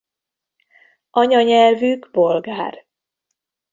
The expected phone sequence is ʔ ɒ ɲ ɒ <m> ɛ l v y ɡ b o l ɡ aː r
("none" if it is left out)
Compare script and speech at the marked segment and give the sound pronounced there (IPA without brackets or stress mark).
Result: ɲ